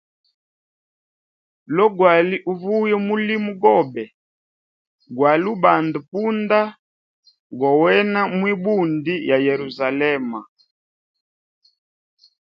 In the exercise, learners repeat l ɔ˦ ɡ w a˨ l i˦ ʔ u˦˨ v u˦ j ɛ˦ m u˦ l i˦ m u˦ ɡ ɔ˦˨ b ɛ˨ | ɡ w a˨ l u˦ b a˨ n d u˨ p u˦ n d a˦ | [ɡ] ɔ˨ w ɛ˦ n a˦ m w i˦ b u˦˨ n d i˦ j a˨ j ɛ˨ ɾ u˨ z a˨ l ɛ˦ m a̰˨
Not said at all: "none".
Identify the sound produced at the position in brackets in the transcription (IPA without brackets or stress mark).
ɡ